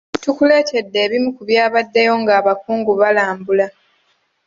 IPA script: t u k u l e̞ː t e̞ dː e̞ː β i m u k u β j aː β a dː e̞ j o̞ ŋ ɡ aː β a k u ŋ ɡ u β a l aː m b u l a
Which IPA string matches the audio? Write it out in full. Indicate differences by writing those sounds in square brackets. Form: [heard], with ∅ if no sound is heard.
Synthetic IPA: t u k u l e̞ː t e̞ dː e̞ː β i m u k u β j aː β a dː e̞ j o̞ ŋ ɡ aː β a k [uː] ŋ ɡ u β a l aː m b u l a